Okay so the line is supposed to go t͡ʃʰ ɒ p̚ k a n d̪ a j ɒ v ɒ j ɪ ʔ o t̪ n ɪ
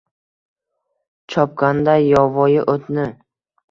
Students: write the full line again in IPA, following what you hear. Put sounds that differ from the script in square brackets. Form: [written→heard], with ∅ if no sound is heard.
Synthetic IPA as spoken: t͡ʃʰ ɒ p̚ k a n d̪ a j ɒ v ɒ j ɪ ʔ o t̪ n ɪ